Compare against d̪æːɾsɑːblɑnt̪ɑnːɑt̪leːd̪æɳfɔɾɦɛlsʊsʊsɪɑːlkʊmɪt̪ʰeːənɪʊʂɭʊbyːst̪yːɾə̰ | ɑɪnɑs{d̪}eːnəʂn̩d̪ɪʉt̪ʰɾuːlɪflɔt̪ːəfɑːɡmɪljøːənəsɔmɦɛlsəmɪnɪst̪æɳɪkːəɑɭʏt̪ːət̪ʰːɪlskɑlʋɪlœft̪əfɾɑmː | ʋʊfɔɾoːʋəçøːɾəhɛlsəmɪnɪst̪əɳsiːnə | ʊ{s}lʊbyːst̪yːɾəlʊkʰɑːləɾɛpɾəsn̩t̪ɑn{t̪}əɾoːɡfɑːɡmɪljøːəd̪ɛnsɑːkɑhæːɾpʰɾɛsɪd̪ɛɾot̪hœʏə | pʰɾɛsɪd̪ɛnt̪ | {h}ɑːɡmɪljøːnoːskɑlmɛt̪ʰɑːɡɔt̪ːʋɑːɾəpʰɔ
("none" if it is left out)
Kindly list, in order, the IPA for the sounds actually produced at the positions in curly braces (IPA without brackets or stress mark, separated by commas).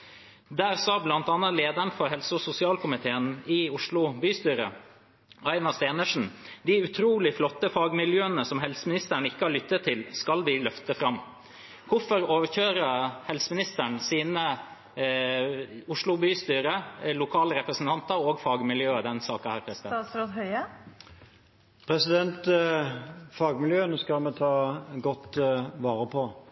t̪, ʂ, t̪, f